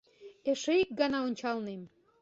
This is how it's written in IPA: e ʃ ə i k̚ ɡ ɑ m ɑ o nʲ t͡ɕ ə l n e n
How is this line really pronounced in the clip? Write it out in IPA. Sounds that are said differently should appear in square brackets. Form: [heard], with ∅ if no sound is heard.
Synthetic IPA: e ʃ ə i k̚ ɡ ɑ [n] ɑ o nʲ t͡ɕ [ɑ] l n e [m]